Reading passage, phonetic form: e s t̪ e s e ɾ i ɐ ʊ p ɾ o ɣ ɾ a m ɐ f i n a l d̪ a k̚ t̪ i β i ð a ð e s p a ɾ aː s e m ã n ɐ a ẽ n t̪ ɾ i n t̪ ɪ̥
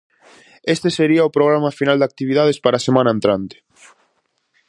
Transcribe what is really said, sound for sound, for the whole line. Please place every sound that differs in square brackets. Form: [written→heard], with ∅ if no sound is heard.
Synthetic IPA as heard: e s t̪ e s e ɾ i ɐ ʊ p ɾ o ɣ ɾ a m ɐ f i n a l d̪ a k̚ t̪ i β i ð a ð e s p a ɾ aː s e m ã n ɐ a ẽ n t̪ ɾ [i→a] n t̪ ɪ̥